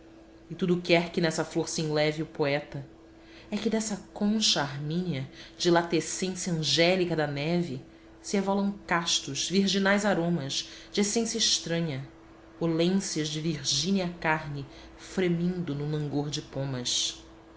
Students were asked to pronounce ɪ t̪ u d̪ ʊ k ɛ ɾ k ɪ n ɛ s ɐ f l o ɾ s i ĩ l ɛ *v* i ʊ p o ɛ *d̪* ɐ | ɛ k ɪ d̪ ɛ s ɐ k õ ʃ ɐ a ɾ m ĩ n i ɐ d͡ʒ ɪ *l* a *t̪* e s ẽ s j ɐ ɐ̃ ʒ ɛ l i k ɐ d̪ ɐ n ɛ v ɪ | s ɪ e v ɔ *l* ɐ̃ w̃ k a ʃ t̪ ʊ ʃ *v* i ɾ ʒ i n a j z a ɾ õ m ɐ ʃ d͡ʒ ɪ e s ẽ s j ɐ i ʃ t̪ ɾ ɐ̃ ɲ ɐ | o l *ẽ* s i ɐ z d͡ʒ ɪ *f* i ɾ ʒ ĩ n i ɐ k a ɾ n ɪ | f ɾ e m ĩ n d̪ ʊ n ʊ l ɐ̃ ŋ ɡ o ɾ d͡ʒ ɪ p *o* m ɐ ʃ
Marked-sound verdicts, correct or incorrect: correct, incorrect: t̪, correct, correct, correct, correct, correct, incorrect: v, incorrect: õ

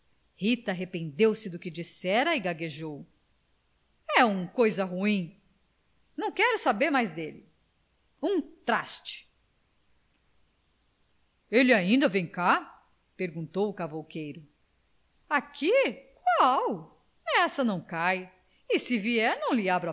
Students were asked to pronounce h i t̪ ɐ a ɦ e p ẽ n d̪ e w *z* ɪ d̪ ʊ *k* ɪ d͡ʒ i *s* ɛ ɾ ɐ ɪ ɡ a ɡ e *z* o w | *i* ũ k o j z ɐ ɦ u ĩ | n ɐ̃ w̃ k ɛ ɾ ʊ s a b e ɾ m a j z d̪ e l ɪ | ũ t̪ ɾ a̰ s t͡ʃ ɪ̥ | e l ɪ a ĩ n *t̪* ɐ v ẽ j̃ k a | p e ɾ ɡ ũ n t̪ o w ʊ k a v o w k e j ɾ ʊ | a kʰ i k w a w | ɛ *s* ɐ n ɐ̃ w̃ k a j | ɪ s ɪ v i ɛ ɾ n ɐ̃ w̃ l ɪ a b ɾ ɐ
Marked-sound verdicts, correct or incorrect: incorrect: s, correct, correct, incorrect: ʒ, incorrect: ɛ, incorrect: d̪, correct

